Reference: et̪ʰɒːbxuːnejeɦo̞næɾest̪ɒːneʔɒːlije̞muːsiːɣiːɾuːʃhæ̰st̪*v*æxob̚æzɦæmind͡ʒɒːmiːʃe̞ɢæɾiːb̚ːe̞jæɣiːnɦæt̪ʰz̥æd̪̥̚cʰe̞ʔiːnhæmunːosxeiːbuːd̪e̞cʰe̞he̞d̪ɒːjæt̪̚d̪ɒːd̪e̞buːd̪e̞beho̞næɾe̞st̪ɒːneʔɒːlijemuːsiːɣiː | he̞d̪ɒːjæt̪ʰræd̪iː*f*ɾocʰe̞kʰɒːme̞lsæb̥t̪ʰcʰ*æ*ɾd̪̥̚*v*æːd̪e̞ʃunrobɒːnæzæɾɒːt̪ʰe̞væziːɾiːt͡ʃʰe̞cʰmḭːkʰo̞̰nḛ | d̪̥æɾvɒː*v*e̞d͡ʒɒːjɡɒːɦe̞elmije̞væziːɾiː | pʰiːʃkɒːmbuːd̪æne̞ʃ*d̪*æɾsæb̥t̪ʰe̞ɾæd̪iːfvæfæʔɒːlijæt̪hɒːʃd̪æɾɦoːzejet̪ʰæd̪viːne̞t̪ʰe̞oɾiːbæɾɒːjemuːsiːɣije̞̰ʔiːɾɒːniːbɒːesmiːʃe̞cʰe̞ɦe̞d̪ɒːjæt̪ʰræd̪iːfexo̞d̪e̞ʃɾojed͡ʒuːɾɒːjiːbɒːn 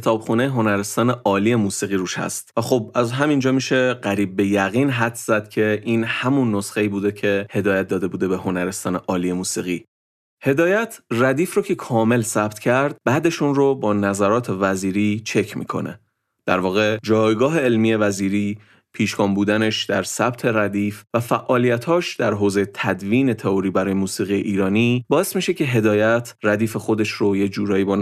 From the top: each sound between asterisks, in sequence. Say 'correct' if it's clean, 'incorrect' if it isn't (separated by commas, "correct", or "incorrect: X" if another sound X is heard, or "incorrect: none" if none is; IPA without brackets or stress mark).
correct, correct, correct, incorrect: b, incorrect: ɣ, correct